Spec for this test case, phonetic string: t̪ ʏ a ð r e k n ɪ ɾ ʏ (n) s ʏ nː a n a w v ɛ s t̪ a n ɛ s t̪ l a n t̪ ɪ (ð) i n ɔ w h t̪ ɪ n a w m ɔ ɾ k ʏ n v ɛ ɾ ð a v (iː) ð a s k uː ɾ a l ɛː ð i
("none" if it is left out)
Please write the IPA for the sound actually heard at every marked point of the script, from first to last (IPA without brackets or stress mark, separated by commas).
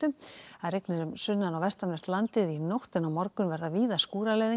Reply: m, ð, iː